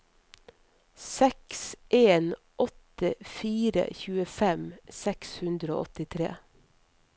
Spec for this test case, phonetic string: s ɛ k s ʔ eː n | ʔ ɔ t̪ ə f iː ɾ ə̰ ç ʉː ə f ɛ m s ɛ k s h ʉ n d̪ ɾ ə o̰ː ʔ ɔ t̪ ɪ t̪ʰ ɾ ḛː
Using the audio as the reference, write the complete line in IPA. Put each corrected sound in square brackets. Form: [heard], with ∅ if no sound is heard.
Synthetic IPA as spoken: s ɛ k s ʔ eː n | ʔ ɔ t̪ ə f iː ɾ ə̰ ç ʉː ə f ɛ m s ɛ k s h ʉ n d̪ ɾ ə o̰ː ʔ ɔ t̪ ɪ t̪ʰ ɾ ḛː